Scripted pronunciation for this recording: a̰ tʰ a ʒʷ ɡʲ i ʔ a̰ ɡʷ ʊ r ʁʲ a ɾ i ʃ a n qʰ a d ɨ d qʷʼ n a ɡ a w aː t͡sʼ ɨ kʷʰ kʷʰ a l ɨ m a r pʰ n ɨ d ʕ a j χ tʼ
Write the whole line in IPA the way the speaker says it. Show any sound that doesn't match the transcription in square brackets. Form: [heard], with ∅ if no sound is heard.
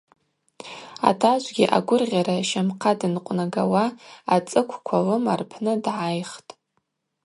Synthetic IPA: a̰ tʰ a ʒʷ ɡʲ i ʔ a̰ ɡʷ ʊ r ʁʲ a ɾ [a] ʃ a [m] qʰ a d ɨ [n] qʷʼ n a ɡ a w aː t͡sʼ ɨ kʷʰ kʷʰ a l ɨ m a r pʰ n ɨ d ʕ a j χ tʼ